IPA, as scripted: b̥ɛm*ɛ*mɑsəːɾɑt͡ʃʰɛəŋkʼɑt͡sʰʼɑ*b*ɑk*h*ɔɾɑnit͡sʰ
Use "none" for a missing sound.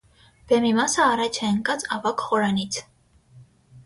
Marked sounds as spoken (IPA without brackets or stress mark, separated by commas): i, v, χ